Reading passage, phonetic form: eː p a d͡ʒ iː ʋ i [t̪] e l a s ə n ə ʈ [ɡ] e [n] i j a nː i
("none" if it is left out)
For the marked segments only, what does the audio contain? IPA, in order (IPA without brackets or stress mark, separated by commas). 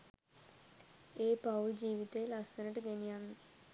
t̪, ɡ, n